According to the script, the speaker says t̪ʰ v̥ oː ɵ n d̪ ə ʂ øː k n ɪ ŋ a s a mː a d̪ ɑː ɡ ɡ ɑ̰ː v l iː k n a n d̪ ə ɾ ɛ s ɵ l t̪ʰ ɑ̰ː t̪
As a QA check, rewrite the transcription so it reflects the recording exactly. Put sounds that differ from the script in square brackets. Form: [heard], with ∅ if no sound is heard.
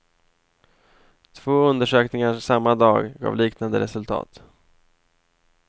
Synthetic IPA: t̪ʰ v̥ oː ɵ n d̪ ə ʂ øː k n ɪ ŋ a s a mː a d̪ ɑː ɡ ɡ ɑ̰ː v l iː k n a n d̪ ə ɾ ɛ s ɵ l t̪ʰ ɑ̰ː t̪

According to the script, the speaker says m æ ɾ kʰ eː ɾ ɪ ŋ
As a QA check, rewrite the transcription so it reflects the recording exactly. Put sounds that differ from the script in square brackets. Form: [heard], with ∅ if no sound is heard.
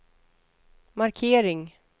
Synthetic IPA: m [a] ɾ kʰ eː ɾ ɪ ŋ

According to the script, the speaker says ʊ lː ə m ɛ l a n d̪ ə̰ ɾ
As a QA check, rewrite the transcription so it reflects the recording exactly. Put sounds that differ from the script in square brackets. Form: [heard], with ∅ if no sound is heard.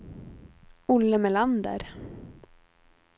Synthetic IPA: ʊ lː ə m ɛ l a n d̪ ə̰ ɾ

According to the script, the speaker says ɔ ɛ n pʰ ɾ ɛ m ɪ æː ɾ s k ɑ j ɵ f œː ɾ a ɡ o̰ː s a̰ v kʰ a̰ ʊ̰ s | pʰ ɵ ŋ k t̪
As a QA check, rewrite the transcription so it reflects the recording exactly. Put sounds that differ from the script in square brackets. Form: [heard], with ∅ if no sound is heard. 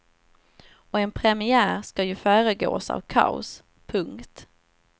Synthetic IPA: ɔ ɛ n pʰ ɾ ɛ m ɪ æː ɾ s k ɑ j ɵ f œː ɾ [ə] ɡ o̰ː s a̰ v kʰ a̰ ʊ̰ s | pʰ ɵ ŋ k t̪

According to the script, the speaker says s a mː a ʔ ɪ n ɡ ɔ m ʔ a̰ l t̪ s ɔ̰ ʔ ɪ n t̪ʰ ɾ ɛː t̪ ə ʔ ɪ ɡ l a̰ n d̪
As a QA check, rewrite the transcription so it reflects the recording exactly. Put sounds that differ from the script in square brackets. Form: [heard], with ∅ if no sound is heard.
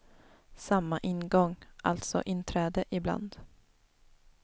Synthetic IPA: s a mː a ʔ ɪ n ɡ ɔ [ŋ] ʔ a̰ l t̪ s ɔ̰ ʔ ɪ n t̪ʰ ɾ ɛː [d̪] ə ʔ ɪ [b] l a̰ n d̪

